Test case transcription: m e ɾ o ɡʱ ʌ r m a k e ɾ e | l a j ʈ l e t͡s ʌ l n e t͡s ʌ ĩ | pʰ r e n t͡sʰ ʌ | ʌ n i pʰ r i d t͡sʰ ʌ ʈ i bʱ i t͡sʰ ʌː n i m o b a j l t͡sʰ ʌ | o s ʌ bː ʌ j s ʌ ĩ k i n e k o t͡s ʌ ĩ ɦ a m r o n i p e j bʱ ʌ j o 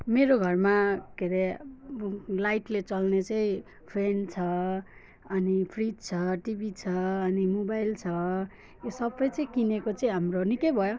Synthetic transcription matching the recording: m e ɾ o ɡʱ ʌ r m a k e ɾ e | l a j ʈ l e t͡s ʌ l n e t͡s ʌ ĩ | pʰ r e n t͡sʰ ʌ | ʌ n i pʰ r i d t͡sʰ ʌ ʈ i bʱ i t͡sʰ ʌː n i m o b a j l t͡sʰ ʌ | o s ʌ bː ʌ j t͡s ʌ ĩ k i n e k o t͡s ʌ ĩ ɦ a m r o n i k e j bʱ ʌ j o